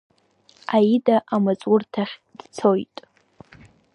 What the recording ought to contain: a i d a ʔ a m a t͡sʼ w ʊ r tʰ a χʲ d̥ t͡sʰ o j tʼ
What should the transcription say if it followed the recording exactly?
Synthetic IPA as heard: a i d a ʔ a m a t͡sʼ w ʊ r tʰ a χʲ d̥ t͡sʰ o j tʼ